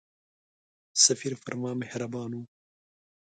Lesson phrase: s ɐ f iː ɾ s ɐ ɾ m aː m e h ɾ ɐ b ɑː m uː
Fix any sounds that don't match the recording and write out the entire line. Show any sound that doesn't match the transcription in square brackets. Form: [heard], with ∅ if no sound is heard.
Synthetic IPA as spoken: s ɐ f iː ɾ [f] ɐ ɾ m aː m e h ɾ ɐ b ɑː [n] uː